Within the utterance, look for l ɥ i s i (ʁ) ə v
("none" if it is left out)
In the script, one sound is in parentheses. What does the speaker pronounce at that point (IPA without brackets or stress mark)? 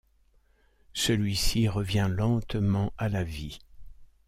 ʁ